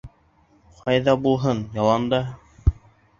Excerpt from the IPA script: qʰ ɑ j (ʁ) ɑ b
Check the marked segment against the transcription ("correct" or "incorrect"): incorrect